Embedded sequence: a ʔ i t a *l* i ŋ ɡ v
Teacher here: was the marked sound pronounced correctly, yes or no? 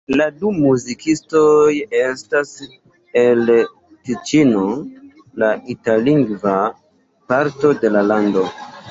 yes